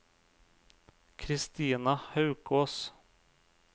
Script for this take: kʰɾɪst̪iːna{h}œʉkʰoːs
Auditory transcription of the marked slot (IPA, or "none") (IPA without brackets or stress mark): h